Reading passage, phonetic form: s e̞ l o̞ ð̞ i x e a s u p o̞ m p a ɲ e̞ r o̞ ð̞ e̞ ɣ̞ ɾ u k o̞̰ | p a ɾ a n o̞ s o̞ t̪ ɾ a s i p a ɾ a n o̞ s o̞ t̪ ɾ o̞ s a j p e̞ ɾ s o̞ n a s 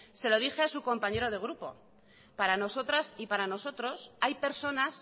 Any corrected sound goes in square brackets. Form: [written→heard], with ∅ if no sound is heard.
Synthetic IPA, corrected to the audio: s e̞ l o̞ ð̞ i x e a s u [p→k] o̞ m p a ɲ e̞ [r→ɾ] o̞ ð̞ e̞ ɣ̞ ɾ u [k→p] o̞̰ | p a ɾ a n o̞ s o̞ t̪ ɾ a s i p a ɾ a n o̞ s o̞ t̪ ɾ o̞ s a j p e̞ ɾ s o̞ n a s